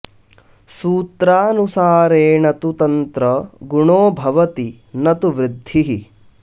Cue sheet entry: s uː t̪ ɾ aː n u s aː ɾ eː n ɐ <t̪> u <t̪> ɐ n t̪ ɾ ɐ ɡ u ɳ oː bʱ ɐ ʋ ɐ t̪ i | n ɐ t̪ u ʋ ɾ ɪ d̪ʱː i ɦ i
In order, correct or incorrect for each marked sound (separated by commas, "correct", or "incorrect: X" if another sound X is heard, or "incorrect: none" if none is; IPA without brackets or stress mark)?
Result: correct, correct